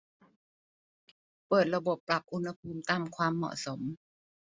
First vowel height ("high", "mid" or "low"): mid